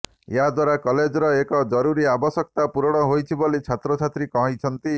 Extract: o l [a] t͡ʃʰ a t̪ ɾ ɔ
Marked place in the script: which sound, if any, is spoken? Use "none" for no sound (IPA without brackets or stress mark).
i